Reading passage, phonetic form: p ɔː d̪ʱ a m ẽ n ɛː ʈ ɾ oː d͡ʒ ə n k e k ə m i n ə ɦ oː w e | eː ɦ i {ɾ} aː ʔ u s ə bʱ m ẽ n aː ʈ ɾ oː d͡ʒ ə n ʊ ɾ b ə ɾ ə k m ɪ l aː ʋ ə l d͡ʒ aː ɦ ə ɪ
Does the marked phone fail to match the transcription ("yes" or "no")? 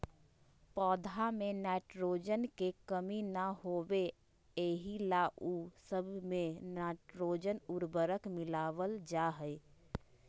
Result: yes